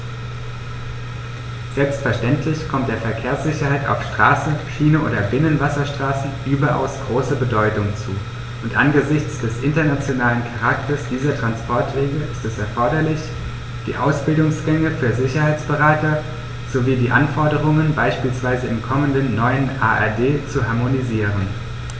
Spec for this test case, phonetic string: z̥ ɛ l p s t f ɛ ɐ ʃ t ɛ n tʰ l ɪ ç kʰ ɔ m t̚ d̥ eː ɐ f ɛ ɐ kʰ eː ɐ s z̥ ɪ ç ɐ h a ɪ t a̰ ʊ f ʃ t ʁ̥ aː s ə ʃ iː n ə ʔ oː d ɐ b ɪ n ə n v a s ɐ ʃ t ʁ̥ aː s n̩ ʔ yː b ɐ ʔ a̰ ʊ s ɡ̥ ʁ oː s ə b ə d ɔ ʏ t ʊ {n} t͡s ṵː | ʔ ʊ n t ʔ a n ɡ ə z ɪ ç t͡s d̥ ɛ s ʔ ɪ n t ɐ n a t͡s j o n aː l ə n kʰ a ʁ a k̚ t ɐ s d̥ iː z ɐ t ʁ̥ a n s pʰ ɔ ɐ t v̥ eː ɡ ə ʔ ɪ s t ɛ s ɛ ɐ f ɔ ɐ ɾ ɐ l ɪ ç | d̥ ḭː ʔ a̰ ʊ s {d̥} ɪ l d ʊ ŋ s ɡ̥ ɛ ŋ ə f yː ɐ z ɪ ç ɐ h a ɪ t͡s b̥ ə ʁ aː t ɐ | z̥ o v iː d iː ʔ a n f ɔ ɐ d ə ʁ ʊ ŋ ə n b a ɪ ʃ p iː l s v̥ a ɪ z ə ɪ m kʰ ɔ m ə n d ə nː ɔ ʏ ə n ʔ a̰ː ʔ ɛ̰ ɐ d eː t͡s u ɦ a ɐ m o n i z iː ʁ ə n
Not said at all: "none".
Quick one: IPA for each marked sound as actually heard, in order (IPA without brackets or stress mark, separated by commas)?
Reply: ŋ, b̥